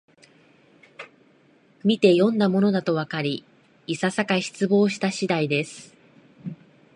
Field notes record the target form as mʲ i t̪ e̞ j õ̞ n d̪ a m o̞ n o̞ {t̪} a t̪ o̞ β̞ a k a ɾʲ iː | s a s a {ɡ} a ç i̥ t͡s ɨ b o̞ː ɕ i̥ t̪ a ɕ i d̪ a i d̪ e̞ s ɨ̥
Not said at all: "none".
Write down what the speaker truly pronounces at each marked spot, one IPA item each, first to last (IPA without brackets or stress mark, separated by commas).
d̪, k